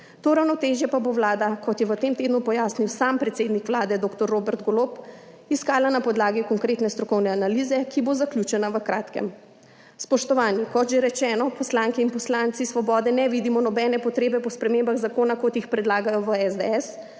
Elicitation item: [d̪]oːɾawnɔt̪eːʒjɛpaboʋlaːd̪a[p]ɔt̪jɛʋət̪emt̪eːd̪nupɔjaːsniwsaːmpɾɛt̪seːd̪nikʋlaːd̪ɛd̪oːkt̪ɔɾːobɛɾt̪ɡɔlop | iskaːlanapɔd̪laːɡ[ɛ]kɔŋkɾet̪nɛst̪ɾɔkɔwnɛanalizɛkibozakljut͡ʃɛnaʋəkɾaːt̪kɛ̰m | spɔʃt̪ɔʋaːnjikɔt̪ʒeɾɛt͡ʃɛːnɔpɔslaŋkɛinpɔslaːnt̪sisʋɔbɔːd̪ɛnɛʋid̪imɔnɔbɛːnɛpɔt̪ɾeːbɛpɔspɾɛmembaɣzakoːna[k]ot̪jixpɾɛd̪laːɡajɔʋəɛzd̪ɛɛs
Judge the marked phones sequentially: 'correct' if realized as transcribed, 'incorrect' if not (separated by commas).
incorrect, incorrect, incorrect, correct